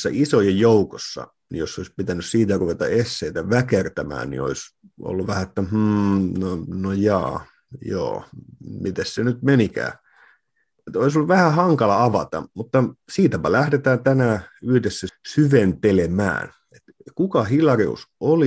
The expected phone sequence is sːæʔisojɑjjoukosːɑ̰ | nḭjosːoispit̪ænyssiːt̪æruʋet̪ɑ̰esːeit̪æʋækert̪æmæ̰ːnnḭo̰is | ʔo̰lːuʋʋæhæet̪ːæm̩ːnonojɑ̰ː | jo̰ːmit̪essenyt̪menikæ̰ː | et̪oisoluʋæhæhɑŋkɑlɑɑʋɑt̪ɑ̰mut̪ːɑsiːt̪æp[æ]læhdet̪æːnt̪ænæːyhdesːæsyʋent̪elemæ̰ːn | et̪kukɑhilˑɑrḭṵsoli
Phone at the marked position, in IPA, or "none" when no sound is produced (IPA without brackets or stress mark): æ